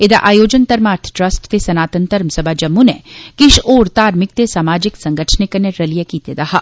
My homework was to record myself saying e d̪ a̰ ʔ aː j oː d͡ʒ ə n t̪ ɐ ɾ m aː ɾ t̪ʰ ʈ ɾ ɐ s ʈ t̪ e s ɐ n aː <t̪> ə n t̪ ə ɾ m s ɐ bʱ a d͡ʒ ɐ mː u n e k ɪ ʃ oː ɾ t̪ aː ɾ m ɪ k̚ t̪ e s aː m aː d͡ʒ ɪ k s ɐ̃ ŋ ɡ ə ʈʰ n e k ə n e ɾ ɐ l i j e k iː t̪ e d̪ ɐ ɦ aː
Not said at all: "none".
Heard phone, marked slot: t̪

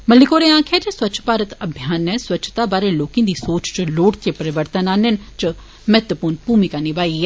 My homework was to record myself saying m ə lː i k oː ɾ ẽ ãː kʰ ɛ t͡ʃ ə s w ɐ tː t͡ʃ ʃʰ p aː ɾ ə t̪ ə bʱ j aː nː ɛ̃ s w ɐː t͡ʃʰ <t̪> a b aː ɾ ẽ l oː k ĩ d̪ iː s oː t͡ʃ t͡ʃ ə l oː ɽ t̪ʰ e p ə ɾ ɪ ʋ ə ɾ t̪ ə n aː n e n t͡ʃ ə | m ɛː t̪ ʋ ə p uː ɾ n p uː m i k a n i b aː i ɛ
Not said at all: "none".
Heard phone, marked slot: t̪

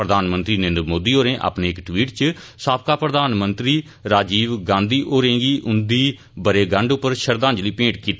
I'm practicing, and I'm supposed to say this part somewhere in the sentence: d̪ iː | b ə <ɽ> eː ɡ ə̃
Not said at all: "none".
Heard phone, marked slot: ɾ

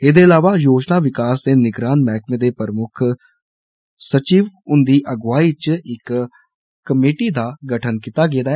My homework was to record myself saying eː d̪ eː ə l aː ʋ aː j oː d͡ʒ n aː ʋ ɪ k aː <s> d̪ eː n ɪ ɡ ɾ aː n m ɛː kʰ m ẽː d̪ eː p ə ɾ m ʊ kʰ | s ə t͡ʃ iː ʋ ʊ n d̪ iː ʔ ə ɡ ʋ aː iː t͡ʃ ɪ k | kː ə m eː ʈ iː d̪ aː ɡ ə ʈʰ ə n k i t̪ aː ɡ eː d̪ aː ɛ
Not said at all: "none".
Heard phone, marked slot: s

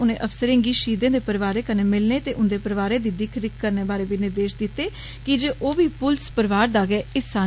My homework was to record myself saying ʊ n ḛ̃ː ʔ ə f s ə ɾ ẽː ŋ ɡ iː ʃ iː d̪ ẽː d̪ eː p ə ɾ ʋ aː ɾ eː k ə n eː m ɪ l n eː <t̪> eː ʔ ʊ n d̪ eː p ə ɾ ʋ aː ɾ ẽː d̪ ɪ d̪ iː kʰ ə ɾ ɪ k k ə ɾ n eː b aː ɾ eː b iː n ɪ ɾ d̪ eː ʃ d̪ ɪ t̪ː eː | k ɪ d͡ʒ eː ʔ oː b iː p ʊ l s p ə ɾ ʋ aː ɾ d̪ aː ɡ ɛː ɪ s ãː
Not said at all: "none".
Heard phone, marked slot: t̪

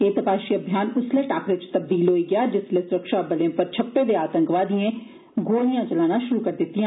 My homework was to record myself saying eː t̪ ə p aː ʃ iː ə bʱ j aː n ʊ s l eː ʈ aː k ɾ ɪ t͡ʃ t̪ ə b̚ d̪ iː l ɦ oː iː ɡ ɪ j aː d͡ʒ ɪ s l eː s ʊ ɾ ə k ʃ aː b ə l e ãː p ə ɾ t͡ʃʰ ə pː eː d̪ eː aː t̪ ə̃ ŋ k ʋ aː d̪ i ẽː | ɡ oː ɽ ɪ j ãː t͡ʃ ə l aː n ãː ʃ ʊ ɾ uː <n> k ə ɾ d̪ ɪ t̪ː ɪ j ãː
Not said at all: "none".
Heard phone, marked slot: none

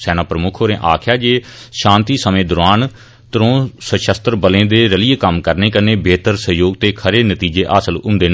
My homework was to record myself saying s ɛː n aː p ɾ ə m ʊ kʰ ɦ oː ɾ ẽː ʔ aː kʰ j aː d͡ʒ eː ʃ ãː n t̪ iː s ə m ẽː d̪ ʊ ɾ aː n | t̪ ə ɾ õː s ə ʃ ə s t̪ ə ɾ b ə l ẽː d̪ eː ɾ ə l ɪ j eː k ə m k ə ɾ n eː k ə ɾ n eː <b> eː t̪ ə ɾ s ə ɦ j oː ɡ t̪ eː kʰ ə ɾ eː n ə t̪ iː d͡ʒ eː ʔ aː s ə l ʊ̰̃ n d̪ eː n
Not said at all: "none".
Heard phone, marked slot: b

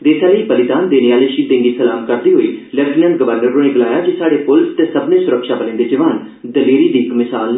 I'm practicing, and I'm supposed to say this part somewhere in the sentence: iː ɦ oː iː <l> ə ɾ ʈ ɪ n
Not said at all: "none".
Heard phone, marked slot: l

